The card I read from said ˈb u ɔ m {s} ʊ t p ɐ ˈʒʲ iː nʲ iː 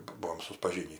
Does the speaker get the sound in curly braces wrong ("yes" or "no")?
no